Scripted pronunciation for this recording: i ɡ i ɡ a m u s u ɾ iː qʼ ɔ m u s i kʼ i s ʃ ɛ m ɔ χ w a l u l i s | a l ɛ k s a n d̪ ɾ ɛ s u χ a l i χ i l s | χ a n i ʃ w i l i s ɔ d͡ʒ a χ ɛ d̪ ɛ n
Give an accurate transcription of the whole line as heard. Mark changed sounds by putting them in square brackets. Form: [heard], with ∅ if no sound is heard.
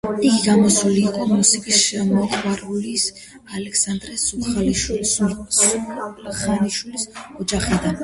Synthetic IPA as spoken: i ɡ i ɡ a m [ɔ] s u [l] iː qʼ ɔ m u s i kʼ i s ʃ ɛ m ɔ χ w a [ɾ] u l i s | a l ɛ k s a n d̪ ɾ ɛ s u χ a l i [ʃ] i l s | χ a n i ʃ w i l i s ɔ d͡ʒ a χ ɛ d̪ [a] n